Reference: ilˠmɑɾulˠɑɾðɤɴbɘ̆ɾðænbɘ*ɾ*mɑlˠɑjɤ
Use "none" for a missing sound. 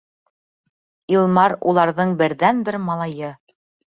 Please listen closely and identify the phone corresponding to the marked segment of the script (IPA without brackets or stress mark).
ɾ